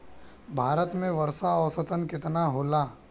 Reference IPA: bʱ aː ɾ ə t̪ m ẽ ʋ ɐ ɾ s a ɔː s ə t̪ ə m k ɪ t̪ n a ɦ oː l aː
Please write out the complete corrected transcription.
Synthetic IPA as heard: bʱ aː ɾ ə t̪ m ẽ ʋ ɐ ɾ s a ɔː s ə t̪ ə n k ɪ t̪ n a ɦ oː l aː